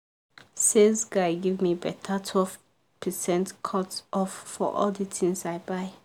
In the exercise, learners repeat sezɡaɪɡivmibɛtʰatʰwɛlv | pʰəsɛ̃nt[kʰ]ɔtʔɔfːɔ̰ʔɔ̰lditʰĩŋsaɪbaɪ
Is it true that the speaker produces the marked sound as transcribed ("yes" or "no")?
yes